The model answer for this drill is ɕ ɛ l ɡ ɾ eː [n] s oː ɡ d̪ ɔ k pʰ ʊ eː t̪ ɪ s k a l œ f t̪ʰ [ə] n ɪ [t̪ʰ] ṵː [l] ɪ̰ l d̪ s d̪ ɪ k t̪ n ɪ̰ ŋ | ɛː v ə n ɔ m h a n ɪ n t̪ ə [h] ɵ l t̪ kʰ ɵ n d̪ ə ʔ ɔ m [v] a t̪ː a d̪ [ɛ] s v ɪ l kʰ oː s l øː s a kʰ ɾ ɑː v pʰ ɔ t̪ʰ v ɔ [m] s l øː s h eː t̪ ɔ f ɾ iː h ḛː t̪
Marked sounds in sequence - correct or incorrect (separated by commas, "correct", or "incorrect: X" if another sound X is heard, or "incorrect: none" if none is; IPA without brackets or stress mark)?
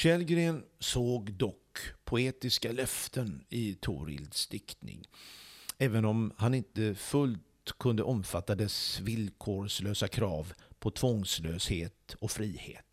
correct, correct, correct, incorrect: ɾ, incorrect: f, incorrect: f, correct, incorrect: ŋ